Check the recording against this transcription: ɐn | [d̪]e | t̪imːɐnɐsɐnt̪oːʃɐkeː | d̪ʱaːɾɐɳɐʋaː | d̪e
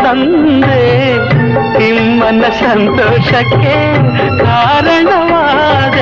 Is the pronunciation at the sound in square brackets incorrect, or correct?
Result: correct